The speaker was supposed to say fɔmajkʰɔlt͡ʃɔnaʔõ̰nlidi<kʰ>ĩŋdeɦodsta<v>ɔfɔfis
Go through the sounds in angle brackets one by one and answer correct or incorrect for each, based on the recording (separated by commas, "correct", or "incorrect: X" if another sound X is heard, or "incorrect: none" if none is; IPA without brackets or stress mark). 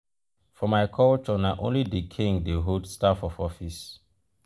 correct, incorrect: f